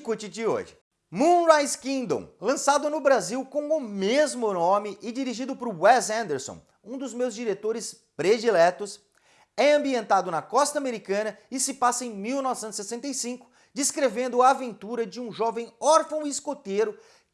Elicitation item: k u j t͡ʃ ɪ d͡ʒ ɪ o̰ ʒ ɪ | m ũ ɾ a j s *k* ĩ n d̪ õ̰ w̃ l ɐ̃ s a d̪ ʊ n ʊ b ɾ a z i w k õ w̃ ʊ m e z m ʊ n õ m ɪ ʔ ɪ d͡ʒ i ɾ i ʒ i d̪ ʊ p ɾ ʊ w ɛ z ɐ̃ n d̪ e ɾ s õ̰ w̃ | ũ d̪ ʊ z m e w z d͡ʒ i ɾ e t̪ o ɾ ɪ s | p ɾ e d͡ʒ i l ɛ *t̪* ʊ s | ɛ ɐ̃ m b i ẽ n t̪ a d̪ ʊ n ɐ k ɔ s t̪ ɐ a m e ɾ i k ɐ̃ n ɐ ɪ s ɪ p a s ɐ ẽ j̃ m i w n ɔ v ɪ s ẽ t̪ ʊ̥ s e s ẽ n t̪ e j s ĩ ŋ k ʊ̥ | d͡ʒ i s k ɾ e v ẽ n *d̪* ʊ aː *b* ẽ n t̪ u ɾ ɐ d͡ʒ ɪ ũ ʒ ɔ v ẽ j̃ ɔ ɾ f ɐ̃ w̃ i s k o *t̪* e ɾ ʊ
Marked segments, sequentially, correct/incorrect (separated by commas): correct, correct, correct, incorrect, correct